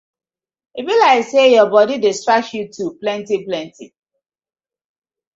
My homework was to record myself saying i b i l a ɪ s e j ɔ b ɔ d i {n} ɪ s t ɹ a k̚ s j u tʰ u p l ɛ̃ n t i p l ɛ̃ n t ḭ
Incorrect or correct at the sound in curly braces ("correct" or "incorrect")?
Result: incorrect